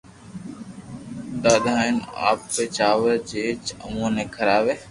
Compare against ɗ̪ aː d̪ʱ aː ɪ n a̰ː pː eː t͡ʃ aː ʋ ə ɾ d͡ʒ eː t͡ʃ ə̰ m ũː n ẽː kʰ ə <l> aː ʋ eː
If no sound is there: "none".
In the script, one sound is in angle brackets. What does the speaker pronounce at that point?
ɾ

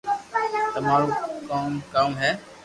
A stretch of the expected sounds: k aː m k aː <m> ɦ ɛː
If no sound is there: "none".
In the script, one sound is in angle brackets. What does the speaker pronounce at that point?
m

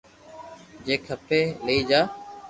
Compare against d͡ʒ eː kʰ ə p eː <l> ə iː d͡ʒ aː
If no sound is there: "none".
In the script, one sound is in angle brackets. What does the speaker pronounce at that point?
l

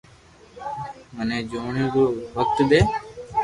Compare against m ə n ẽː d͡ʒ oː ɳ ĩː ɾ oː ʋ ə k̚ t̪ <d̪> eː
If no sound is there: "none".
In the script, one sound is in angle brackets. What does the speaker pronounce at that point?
d̪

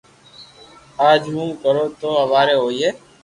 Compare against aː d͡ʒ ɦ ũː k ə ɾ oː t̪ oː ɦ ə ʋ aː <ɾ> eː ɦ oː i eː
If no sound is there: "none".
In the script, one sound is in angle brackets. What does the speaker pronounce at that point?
ɾ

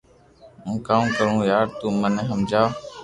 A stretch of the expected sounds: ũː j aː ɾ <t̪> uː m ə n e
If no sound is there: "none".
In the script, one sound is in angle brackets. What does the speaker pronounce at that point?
t̪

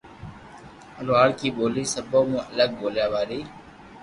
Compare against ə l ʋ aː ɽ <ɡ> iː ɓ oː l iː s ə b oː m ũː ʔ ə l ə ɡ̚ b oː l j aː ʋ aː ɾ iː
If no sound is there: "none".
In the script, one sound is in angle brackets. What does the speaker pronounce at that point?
k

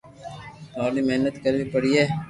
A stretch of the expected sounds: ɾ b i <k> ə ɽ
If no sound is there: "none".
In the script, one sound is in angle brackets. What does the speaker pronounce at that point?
p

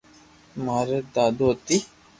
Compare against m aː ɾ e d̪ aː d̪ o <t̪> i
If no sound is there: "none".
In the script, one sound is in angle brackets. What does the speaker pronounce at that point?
t̪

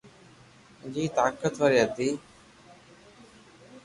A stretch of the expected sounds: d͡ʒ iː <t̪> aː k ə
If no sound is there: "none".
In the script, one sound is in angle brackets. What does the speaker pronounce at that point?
t̪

